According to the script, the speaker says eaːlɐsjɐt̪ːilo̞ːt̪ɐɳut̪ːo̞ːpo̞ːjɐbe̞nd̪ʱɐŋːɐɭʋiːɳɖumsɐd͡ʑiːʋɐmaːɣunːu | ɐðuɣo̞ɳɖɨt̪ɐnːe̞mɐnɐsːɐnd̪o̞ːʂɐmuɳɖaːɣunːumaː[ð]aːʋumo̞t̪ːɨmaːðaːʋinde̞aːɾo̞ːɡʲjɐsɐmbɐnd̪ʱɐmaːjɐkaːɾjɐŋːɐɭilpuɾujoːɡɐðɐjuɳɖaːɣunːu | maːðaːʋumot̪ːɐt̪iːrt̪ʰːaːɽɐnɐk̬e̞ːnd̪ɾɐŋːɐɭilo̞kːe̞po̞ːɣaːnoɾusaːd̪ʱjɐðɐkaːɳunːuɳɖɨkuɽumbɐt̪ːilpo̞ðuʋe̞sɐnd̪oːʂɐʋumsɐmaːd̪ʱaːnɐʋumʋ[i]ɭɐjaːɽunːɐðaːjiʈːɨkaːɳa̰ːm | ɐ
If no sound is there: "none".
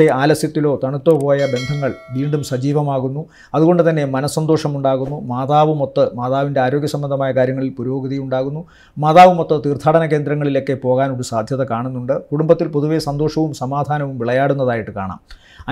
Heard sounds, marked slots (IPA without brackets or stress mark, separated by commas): ð, i